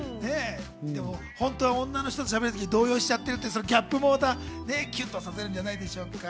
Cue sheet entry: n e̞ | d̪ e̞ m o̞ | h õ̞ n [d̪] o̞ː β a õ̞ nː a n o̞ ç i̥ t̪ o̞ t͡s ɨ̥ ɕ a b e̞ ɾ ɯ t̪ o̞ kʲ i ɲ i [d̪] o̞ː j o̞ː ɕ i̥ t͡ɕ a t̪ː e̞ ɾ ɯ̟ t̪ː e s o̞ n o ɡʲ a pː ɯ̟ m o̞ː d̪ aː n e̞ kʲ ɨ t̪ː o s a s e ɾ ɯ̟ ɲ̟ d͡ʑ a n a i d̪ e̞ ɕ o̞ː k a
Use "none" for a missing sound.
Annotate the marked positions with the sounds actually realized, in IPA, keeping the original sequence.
t̪, d̪

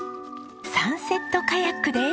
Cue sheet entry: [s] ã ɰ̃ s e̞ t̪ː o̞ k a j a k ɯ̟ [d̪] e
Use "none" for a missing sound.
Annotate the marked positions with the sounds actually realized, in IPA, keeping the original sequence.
s, d̪

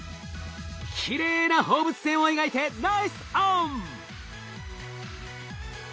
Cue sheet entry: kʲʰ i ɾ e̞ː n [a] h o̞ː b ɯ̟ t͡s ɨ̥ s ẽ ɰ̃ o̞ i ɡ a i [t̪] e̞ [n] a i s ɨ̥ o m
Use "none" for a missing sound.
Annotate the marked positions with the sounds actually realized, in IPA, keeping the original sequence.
a, t̪, n

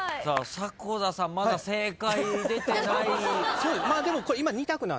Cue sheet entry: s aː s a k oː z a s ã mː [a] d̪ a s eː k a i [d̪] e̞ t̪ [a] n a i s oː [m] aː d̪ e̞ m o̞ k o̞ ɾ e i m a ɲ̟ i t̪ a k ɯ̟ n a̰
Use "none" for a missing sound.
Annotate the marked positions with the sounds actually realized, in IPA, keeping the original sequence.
a, d̪, e, m

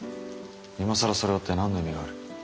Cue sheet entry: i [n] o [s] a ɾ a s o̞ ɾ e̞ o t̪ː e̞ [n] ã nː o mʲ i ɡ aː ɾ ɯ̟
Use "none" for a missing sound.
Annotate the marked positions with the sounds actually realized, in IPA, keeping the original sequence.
m, s, n

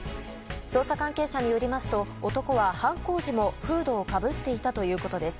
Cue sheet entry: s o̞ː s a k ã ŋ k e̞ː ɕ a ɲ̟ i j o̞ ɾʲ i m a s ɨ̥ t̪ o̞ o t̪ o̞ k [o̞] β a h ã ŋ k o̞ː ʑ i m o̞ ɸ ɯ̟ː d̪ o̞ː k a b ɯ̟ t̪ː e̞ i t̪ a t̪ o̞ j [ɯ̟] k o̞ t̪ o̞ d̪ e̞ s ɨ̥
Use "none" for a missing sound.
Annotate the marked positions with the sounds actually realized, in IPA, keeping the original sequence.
o̞, ɯ̟ː

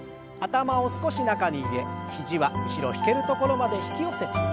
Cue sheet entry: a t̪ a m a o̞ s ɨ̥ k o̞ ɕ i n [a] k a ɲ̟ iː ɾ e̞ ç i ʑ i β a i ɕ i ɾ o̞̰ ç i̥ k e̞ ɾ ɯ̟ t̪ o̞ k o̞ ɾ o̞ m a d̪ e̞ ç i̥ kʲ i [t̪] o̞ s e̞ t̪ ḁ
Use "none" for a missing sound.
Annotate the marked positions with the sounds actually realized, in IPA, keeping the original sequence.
a, none

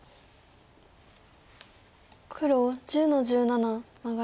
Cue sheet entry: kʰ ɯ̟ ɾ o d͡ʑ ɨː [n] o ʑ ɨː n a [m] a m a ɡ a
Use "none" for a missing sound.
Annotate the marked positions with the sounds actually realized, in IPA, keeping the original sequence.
n, n

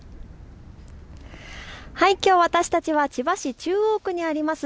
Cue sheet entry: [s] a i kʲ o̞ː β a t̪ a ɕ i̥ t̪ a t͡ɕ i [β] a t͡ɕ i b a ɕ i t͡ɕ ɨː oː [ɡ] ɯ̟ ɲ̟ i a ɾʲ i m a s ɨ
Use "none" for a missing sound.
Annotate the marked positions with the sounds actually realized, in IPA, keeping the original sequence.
h, β, k

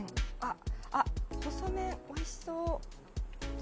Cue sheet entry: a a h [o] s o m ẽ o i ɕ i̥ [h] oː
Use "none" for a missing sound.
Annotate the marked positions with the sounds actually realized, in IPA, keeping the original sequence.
o, s

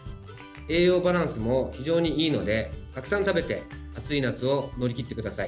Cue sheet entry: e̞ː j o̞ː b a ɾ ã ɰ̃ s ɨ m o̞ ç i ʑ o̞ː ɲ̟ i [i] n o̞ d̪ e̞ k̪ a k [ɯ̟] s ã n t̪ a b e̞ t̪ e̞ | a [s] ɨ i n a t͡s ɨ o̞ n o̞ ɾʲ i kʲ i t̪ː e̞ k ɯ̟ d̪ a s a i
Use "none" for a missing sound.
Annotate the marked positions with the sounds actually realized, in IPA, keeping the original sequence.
iː, ɯ̟, t͡s

